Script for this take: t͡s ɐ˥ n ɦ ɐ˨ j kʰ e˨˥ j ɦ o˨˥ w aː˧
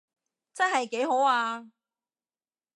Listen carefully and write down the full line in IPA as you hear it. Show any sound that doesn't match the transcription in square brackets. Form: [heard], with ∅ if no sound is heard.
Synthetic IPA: t͡s ɐ˥ n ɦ ɐ˨ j [k] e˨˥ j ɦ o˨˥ w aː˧